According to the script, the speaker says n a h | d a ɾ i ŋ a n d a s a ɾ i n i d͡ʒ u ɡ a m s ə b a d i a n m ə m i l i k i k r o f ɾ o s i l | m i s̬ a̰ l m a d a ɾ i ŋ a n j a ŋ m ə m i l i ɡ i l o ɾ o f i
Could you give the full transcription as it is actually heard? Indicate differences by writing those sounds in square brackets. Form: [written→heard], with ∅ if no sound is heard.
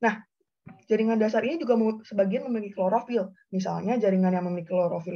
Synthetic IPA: n a h | [d→d͡ʒ] a ɾ i ŋ a n d a s a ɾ i n i d͡ʒ u ɡ a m s ə b a [d→ɡ] i a n m ə m i l i k i k [r→l] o [f→∅] ɾ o [s→f] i l | m i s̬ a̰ l [m→ɲ] a [d→d͡ʒ] a ɾ i ŋ a n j a ŋ m ə m i l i [ɡ→k] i l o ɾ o f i

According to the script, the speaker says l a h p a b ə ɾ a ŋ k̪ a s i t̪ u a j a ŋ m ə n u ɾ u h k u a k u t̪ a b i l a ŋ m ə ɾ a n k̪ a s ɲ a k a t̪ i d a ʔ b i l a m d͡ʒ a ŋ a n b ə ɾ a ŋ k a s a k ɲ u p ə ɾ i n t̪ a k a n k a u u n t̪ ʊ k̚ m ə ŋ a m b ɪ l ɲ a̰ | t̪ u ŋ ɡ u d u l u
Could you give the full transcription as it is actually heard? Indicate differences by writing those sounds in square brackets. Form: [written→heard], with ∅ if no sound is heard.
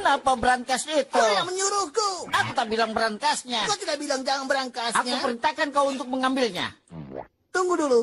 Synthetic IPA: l a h p a b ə ɾ a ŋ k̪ a s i t̪ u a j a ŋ m ə [n→ɲ] u ɾ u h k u a k u t̪ a b i l a ŋ [m→b] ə ɾ a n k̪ a s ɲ a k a t̪ i d a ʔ b i l a [m→ŋ] d͡ʒ a ŋ a n b ə ɾ a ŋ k a s a k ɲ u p ə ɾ i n t̪ a k a n k a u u n t̪ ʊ k̚ m ə ŋ a m b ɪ l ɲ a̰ | t̪ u ŋ ɡ u d u l u

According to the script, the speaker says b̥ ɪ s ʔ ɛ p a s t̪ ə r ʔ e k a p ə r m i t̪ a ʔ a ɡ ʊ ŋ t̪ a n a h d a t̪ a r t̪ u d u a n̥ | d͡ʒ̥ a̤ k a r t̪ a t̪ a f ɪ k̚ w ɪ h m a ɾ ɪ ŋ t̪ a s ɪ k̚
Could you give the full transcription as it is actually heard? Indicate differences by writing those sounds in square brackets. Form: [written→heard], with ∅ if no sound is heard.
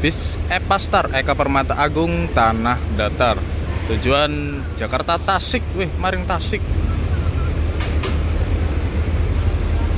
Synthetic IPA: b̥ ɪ s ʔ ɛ p a s t̪ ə r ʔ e k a p ə r m [i→a] t̪ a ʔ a ɡ ʊ ŋ t̪ a n a h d a t̪ a r t̪ u [d→d͡ʒ] u a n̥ | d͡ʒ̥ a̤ k a r t̪ a t̪ a [f→s] ɪ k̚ w ɪ h m a ɾ ɪ ŋ t̪ a s ɪ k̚

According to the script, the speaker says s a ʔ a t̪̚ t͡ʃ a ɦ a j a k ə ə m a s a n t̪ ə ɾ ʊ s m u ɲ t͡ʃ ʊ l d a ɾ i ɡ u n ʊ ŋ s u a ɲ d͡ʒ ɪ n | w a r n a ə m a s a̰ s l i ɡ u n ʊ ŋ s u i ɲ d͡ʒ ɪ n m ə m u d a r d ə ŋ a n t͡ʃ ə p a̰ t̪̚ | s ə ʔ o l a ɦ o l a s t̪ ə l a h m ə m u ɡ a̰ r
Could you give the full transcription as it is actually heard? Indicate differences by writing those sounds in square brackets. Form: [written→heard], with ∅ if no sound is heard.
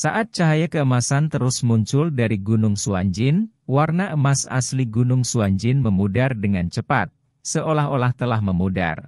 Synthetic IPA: s a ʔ a t̪̚ t͡ʃ a ɦ a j a k ə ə m a s a n t̪ ə ɾ ʊ s m u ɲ t͡ʃ ʊ l d a ɾ i ɡ u n ʊ ŋ s u a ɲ d͡ʒ ɪ n | w a r n a ə m a s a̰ s l i ɡ u n ʊ ŋ s u [i→a] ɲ d͡ʒ ɪ n m ə m u d a r d ə ŋ a n t͡ʃ ə p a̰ t̪̚ | s ə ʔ o l a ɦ o l a [s→h] t̪ ə l a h m ə m u [ɡ→d] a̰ r

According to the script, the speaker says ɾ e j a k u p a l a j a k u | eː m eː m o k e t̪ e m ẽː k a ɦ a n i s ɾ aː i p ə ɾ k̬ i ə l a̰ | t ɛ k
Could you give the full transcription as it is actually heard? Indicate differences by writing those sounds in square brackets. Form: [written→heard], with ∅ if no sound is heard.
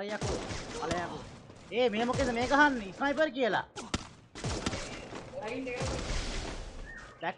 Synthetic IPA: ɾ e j a k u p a l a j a k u | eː m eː m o k e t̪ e m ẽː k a ɦ a n i s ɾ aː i p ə ɾ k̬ i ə l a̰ | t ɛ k

